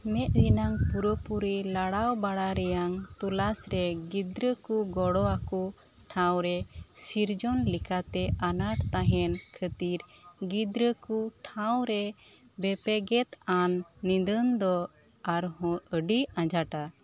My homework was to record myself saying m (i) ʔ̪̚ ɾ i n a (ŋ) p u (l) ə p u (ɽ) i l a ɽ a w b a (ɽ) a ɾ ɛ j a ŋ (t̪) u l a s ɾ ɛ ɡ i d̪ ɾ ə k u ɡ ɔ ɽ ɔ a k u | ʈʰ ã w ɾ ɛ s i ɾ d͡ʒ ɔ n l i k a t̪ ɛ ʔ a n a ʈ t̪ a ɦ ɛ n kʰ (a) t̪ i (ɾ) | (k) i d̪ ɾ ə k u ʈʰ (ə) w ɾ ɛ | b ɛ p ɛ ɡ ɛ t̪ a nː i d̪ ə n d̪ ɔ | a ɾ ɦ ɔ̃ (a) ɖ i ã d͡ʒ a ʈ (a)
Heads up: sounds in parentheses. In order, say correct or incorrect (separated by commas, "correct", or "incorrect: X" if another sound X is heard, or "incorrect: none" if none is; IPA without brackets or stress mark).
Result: incorrect: ɛ, correct, incorrect: ɾ, incorrect: ɾ, correct, correct, incorrect: ə, correct, incorrect: ɡ, incorrect: a, incorrect: ə, correct